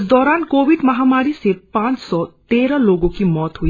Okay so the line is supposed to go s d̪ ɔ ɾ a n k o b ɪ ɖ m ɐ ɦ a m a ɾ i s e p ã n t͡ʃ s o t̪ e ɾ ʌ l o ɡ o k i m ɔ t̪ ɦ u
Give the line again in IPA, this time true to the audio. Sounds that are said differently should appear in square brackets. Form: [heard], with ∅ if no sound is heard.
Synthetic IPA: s d̪ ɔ ɾ a n k o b [i] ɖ m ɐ ɦ a m a ɾ i s e p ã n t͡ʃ s [ɔ] t̪ e ɾ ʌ l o ɡ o k i m ɔ t̪ ɦ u